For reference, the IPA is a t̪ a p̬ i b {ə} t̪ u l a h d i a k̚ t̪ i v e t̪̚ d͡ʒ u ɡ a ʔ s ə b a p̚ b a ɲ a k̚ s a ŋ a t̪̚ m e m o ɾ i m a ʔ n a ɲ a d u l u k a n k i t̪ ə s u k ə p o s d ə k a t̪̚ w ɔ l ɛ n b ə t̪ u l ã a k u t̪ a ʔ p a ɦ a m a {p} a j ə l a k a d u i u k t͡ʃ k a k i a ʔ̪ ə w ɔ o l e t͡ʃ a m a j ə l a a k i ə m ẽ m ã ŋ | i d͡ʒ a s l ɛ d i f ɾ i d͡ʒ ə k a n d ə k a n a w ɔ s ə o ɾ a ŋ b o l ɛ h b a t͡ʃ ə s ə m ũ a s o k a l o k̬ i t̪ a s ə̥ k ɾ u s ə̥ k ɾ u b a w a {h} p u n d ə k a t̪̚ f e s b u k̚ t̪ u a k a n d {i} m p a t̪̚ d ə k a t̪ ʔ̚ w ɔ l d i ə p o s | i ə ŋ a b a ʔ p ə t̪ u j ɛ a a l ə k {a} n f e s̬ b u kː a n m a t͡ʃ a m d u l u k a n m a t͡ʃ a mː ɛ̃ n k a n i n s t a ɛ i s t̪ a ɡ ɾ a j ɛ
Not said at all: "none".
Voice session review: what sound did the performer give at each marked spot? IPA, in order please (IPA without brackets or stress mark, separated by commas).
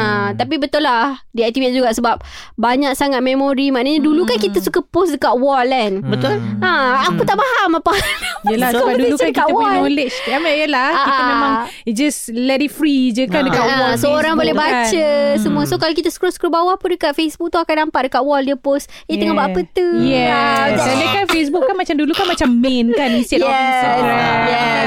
ə, p, h, a, a